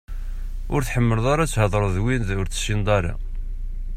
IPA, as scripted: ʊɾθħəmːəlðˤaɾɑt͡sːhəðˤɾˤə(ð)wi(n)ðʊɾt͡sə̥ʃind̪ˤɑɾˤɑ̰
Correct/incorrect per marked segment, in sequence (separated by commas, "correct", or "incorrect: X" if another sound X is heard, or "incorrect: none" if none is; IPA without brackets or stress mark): correct, correct